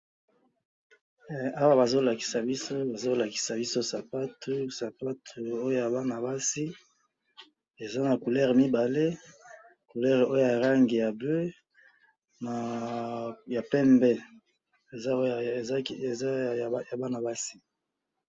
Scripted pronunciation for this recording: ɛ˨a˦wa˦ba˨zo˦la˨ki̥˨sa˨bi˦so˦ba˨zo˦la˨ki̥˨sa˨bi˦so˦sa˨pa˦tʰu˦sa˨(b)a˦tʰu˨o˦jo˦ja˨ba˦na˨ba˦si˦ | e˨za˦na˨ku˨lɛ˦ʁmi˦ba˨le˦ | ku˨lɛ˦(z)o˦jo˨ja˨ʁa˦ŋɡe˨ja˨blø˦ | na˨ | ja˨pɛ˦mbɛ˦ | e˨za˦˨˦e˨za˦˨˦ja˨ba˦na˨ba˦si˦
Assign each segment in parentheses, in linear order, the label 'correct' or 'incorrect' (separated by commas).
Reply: incorrect, incorrect